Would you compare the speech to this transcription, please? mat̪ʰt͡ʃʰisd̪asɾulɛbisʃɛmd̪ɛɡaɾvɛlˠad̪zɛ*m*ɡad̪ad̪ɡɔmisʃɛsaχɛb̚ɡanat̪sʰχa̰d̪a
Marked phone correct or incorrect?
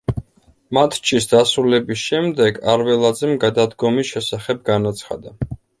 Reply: correct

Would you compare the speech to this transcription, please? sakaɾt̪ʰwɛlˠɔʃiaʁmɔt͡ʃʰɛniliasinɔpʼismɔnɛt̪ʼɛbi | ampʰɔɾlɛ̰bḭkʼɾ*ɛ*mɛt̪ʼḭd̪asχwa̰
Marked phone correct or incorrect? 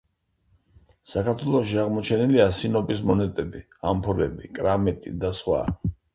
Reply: incorrect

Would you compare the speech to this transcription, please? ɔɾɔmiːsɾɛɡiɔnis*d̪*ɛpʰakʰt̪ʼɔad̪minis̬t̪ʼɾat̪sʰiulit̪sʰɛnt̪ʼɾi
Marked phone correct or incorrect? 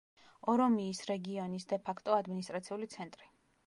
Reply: correct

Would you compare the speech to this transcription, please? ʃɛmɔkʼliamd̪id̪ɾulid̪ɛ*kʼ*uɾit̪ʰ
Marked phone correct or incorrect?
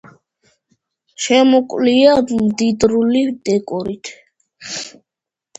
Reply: correct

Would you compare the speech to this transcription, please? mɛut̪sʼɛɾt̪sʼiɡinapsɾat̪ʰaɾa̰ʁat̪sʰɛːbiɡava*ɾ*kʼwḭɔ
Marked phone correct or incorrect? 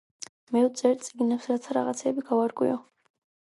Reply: correct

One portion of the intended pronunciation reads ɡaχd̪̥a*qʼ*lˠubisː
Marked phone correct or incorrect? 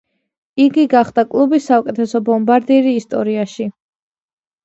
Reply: incorrect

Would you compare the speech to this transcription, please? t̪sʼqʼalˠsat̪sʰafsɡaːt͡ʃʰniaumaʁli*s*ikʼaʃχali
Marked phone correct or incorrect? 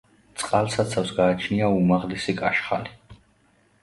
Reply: correct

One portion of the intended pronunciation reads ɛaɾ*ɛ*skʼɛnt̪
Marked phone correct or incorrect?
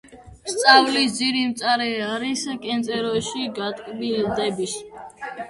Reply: incorrect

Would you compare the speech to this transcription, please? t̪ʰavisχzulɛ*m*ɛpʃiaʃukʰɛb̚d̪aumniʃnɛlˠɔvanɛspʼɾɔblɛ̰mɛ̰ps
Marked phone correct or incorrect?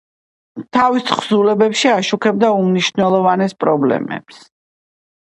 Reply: incorrect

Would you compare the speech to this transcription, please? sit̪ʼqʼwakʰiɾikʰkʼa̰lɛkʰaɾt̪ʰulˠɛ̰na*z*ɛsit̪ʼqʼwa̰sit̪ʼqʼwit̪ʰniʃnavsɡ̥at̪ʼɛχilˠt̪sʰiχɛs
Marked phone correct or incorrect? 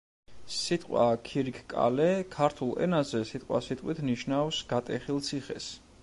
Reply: correct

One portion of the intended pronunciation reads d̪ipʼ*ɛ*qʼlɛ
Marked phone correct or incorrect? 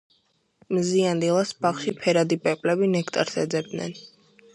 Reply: correct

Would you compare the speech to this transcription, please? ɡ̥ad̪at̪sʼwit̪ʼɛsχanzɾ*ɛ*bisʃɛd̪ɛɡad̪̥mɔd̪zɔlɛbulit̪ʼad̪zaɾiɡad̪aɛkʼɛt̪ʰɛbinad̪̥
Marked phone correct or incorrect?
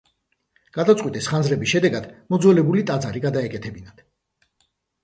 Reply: correct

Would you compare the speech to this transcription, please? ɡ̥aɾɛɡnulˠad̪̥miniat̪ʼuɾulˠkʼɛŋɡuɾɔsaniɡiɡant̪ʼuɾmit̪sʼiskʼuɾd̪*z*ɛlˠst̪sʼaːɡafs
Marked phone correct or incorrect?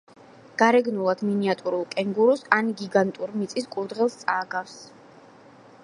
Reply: incorrect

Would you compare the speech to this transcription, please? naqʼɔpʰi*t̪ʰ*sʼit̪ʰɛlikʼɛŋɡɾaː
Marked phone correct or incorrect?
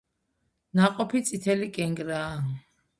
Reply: incorrect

